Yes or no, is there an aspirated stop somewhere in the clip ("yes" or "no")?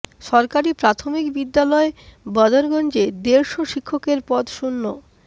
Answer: yes